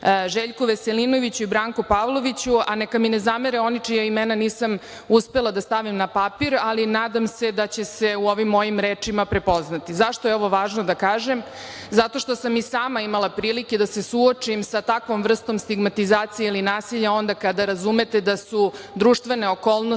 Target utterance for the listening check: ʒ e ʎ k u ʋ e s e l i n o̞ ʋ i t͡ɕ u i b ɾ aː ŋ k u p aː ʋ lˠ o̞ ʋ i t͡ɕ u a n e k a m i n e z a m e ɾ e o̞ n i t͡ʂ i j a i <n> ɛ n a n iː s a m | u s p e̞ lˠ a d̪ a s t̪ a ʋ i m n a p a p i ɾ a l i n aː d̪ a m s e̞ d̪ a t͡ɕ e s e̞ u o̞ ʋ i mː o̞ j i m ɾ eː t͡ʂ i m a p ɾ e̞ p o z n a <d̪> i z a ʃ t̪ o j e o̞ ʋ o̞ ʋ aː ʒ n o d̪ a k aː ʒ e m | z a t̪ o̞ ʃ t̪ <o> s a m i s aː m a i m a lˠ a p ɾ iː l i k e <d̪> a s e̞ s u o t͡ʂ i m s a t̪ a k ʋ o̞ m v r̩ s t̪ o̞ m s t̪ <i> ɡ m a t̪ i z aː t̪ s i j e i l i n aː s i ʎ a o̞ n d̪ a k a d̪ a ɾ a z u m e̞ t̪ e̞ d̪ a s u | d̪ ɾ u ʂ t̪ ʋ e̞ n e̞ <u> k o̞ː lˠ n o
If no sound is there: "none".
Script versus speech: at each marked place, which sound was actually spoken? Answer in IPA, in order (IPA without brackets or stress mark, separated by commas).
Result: m, t̪, o, d̪, i, o